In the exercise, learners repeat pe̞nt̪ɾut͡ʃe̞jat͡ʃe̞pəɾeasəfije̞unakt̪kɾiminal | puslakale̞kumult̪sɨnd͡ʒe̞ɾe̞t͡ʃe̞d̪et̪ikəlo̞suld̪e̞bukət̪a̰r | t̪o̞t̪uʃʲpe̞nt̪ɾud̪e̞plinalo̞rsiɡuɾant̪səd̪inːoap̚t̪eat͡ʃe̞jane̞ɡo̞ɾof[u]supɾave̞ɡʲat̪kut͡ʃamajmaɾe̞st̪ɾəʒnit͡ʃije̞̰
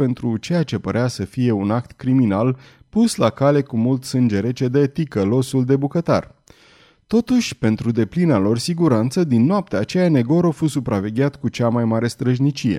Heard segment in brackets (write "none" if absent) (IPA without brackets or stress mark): u